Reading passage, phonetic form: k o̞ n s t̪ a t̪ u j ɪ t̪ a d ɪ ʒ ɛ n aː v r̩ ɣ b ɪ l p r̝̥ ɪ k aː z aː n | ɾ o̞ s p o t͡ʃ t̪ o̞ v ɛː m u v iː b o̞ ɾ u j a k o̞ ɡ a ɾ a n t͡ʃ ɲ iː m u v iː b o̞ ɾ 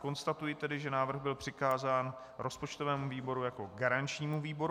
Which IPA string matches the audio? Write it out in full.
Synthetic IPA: k o̞ n s t̪ a t̪ u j ɪ t̪ ɛ d ɪ ʒ ɛ n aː v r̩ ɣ b ɪ l p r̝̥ ɪ k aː z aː n | ɾ o̞ s p o t͡ʃ t̪ o̞ v ɛː m u v iː b o̞ ɾ u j a k o̞ ɡ a ɾ a n t͡ʃ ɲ iː m u v iː b o̞ ɾ

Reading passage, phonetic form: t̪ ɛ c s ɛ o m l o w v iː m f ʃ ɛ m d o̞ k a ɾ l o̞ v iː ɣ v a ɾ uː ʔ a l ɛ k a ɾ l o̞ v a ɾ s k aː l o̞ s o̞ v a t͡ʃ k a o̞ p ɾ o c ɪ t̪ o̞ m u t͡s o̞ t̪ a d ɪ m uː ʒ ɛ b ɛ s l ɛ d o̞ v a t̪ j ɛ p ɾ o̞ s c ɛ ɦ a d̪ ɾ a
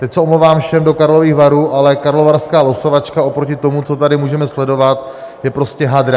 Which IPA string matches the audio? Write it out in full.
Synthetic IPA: t̪ ɛ c s ɛ o m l o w v aː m f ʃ ɛ m d o̞ k a ɾ l o̞ v iː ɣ v a ɾ uː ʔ a l ɛ k a ɾ l o̞ v a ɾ s k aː l o̞ s o̞ v a t͡ʃ k a o̞ p ɾ o c ɪ t̪ o̞ m u t͡s o̞ t̪ a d ɪ m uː ʒ ɛ m ɛ s l ɛ d o̞ v a t̪ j ɛ p ɾ o̞ s c ɛ ɦ a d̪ ɾ a

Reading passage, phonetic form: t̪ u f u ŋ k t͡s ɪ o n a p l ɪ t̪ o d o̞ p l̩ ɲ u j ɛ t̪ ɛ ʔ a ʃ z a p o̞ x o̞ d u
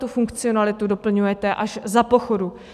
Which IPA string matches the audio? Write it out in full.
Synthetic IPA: t̪ u f u ŋ k t͡s ɪ o n a l ɪ t̪ u d o̞ p l̩ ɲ u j ɛ t̪ ɛ ʔ a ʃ z a p o̞ x o̞ d u

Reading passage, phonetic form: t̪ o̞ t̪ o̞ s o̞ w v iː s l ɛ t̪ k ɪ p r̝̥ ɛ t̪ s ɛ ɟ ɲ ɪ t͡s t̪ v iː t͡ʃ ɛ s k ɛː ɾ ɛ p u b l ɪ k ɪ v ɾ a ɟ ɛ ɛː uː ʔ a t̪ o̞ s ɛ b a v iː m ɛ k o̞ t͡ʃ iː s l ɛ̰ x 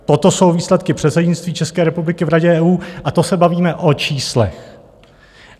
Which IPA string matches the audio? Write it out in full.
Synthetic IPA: t̪ o̞ t̪ o̞ s o̞ w v iː s l ɛ t̪ k ɪ p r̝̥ ɛ t̪ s ɛ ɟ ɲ ɪ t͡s t̪ v iː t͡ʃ ɛ s k ɛː ɾ ɛ p u b l ɪ k ɪ v ɾ a ɟ ɛ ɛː uː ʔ a t̪ o̞ s ɛ b a v iː m ɛ ʔ o̞ t͡ʃ iː s l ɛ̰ x

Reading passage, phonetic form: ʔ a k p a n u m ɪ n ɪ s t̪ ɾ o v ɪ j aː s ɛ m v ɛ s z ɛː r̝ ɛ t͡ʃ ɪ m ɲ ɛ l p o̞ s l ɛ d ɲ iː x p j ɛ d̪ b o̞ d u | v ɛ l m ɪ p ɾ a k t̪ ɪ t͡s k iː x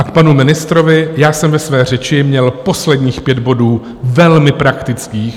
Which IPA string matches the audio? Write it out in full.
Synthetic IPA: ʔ a k p a n u m ɪ n ɪ s t̪ ɾ o v ɪ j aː s ɛ m v ɛ s v ɛː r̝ ɛ t͡ʃ ɪ m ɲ ɛ l p o̞ s l ɛ d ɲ iː x p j ɛ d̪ b o̞ d uː | v ɛ l m ɪ p ɾ a k t̪ ɪ t͡s k iː x

